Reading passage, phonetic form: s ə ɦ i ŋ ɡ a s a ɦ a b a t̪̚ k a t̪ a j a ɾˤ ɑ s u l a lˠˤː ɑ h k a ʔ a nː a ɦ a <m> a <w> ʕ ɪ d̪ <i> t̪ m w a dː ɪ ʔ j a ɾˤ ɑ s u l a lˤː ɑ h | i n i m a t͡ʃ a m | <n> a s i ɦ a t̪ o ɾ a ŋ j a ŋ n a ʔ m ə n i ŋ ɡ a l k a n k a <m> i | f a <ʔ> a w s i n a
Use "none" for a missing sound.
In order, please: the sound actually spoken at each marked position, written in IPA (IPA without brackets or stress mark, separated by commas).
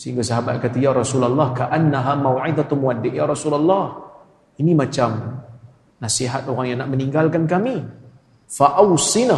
m, w, a, n, m, ʔ